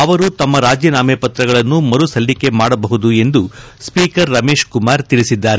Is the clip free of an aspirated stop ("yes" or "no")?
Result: yes